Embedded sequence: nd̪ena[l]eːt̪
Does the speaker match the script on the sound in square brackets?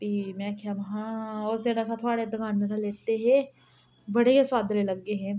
yes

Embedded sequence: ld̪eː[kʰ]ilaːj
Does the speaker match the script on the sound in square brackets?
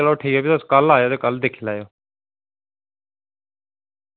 yes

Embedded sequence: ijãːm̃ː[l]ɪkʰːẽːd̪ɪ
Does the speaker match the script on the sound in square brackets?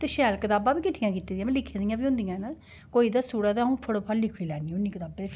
yes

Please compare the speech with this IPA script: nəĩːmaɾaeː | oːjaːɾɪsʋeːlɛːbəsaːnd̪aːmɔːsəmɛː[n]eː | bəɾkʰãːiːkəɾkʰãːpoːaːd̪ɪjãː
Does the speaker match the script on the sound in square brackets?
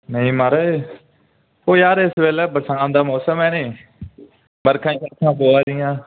yes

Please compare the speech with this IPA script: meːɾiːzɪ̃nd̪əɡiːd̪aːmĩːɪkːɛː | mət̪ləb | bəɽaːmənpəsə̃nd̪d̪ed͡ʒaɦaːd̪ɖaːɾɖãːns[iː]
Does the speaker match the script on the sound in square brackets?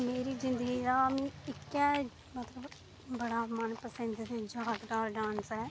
no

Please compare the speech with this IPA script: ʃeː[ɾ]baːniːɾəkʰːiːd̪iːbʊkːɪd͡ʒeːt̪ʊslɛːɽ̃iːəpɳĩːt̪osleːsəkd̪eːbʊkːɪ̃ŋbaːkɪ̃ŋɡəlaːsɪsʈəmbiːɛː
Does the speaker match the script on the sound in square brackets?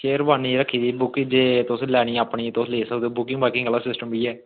yes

